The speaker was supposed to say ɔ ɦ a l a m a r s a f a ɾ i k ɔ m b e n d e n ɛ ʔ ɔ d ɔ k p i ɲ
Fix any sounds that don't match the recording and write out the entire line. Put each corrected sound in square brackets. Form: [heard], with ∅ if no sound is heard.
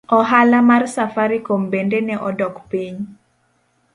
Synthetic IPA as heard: ɔ ɦ a l a m a r s a f a ɾ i k [o] m b e n d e n ɛ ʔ ɔ d ɔ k p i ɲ

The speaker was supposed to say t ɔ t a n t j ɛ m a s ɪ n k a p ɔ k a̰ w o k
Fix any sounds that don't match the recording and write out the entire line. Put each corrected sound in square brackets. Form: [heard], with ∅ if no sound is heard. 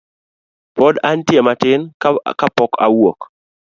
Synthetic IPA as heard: [p] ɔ [d] a n t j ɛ m a [t] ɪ n k a p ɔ k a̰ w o k

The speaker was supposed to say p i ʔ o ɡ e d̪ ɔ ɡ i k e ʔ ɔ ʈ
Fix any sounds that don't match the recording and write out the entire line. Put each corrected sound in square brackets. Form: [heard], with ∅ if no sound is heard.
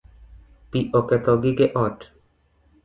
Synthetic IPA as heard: p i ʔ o [k] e [t̪] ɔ ɡ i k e ʔ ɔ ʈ

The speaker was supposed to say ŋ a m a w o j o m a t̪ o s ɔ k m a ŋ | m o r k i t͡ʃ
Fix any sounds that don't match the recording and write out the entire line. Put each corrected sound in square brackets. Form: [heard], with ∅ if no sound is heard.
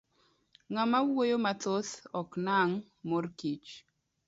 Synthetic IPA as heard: ŋ a m a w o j o m a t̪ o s ɔ k [n] a ŋ | m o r k i t͡ʃ

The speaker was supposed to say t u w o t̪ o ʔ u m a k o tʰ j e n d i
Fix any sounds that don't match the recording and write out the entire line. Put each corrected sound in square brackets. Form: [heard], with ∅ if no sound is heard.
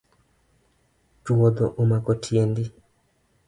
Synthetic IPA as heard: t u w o [d̪] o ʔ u m a k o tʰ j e n d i

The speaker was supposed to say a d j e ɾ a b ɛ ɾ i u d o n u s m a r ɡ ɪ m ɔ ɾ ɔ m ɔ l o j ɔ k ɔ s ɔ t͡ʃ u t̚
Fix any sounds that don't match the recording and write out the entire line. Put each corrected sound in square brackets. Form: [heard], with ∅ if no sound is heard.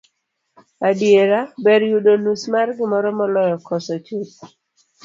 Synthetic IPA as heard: a d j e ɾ a b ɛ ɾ [j] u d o n u s m a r ɡ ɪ m ɔ ɾ ɔ m ɔ l [ɔ] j ɔ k ɔ s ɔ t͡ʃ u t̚

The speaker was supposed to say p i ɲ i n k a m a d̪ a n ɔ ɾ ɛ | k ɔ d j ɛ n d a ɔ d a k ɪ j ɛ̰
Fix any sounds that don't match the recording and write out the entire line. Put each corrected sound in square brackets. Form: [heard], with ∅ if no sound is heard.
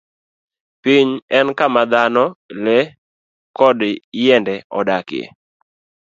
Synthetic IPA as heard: p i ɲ [ɛ] n k a m a d̪ a n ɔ [l] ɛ | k ɔ d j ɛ n d [ɛ] ɔ d a k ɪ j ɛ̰

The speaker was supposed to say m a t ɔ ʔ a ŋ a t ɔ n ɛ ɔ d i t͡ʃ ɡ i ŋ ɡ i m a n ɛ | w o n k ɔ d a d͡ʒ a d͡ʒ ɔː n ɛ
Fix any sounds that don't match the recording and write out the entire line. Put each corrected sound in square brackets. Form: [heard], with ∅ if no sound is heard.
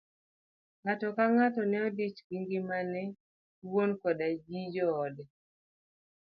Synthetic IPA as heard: [ŋ] a t ɔ [k] a ŋ a t ɔ n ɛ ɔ d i t͡ʃ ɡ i ŋ ɡ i m a n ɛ | w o n k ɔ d a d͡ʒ [i] d͡ʒ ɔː [d] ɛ

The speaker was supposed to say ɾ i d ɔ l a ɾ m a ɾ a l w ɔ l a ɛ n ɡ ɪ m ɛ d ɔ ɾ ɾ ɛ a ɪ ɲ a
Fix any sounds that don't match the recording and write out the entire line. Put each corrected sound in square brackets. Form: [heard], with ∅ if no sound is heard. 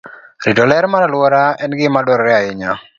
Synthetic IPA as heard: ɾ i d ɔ l [ɛ] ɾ m a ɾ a l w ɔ [ɾ] a ɛ n ɡ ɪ m [a] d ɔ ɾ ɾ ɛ a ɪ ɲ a

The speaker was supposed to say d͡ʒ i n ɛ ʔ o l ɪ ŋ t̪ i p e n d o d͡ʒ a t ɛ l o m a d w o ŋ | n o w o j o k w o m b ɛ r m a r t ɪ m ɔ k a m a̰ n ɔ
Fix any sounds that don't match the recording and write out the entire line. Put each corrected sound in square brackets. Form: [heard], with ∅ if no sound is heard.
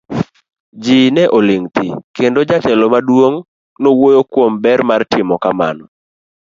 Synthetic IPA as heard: d͡ʒ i n ɛ ʔ o l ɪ ŋ t̪ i [k] e n d o d͡ʒ a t ɛ l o m a d w o ŋ | n o w o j o k w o m b ɛ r m a r t ɪ m ɔ k a m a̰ n ɔ

